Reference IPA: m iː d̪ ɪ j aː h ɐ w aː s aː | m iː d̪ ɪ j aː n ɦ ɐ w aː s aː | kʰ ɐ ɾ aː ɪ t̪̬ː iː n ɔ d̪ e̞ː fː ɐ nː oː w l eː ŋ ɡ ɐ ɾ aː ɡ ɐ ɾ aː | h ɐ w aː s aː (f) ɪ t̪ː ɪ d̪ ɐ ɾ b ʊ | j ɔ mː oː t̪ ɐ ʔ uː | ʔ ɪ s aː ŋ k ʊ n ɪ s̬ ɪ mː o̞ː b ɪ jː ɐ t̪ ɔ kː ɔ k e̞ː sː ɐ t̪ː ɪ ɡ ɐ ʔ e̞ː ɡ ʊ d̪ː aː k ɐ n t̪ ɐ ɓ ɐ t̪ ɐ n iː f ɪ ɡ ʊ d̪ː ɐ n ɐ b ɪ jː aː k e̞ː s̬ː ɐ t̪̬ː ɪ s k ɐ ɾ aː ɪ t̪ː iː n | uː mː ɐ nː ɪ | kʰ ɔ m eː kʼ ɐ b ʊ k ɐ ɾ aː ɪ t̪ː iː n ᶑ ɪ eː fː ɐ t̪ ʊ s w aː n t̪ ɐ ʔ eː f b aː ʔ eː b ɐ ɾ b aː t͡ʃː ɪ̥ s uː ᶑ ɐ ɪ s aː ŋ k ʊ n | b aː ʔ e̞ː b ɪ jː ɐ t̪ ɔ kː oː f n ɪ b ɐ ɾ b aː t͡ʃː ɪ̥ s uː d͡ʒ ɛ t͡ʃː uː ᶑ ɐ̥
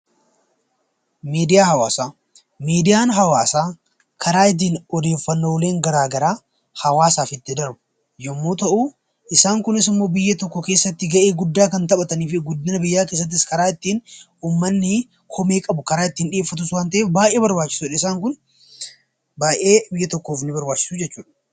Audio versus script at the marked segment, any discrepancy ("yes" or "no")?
no